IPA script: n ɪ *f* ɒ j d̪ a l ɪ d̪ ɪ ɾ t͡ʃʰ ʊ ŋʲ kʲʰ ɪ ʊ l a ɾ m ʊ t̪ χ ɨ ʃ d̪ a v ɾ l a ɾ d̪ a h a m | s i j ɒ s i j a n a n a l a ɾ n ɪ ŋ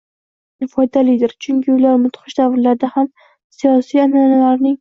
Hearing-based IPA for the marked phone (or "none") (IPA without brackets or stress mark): f